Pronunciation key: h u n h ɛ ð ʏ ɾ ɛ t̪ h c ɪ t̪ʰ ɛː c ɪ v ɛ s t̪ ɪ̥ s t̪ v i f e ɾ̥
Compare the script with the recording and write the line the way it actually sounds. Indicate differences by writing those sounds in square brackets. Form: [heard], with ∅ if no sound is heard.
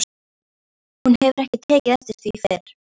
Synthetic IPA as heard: h u n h ɛ [v] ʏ ɾ ɛ [∅] h c ɪ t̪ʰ ɛː c ɪ [ð] ɛ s t̪ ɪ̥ s t̪ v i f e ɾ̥